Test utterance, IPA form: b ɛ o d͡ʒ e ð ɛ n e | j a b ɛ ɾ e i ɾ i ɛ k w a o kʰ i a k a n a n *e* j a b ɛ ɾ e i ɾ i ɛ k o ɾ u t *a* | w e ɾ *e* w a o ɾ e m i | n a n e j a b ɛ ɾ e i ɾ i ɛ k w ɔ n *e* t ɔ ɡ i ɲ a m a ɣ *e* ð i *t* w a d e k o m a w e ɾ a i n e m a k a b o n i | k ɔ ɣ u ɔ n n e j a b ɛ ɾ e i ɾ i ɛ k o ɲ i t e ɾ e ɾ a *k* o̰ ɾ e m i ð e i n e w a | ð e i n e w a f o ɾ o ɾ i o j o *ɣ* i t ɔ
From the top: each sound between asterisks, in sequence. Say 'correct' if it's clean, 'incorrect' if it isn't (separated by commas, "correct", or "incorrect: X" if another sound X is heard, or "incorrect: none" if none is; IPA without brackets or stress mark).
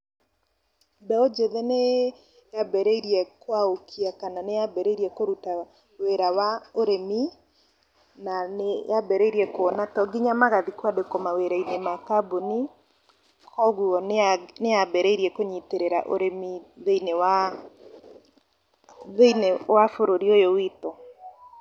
correct, correct, incorrect: a, incorrect: a, incorrect: a, incorrect: k, incorrect: ʔ, incorrect: w